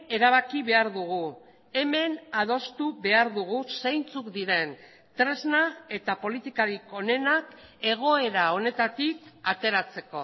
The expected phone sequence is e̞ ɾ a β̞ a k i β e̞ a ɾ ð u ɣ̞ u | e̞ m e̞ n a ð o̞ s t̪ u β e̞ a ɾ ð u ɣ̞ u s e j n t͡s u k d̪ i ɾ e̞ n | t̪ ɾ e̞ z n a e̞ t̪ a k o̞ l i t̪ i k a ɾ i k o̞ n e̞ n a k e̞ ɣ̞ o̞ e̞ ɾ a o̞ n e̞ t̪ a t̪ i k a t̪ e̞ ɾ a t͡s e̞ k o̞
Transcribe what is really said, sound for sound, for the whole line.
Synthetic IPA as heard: e̞ ɾ a β̞ a k i β e̞ a ɾ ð u ɣ̞ u | e̞ m e̞ n a ð o̞ s t̪ u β e̞ a ɾ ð u ɣ̞ u s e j n t͡s u k d̪ i ɾ e̞ n | t̪ ɾ e̞ z n a e̞ t̪ a p o̞ l i t̪ i k a ɾ i k o̞ n e̞ n a k e̞ ɣ̞ o̞ e̞ ɾ a o̞ n e̞ t̪ a t̪ i k a t̪ e̞ ɾ a t͡s e̞ k o̞